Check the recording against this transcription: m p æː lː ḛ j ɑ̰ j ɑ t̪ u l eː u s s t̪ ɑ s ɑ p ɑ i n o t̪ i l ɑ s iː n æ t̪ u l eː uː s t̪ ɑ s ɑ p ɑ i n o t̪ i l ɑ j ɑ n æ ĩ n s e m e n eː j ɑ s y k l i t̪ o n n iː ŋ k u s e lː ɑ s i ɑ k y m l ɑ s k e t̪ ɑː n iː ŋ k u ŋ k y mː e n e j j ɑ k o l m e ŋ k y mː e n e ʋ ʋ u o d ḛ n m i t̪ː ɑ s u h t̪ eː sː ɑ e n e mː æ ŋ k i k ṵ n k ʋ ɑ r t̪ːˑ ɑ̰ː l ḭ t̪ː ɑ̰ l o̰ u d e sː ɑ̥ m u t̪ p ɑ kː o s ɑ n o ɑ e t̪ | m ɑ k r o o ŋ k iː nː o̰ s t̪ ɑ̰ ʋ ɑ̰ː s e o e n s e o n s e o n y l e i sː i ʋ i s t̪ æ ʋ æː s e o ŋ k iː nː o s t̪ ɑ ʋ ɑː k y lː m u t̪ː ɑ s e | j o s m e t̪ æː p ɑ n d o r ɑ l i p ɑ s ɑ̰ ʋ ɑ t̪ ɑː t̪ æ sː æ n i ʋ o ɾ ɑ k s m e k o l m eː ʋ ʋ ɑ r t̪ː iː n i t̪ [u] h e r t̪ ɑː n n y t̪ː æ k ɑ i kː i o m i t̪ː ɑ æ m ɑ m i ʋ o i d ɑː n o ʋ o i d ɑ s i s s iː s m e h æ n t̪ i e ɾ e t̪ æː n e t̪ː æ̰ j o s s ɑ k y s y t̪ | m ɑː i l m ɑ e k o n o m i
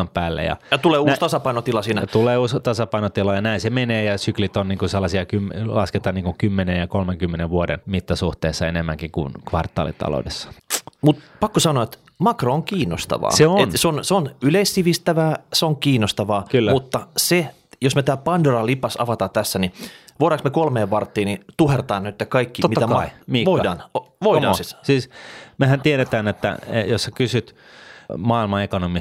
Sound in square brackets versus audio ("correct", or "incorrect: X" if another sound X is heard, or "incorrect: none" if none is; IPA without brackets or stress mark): correct